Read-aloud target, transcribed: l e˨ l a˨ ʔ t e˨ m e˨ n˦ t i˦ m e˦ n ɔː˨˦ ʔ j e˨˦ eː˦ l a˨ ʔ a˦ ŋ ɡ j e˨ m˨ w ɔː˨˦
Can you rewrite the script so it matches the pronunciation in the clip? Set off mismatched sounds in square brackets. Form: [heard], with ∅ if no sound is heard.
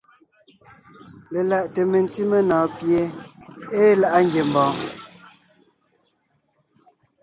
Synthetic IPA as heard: l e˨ l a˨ ʔ t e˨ m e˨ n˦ t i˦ m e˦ n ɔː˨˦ [p] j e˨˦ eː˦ l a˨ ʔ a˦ ŋ ɡ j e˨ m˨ [b] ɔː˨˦